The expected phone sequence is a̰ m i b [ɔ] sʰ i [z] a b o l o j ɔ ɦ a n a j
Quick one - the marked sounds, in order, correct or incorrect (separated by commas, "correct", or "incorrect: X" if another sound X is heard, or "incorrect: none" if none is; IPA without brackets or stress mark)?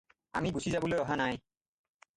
incorrect: u, correct